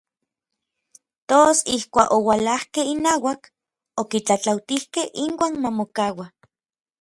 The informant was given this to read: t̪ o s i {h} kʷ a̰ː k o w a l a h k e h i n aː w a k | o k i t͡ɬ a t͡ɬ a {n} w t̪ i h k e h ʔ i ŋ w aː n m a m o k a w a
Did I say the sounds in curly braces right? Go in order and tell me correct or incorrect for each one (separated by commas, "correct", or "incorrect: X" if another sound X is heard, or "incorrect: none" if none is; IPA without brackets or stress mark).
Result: correct, incorrect: none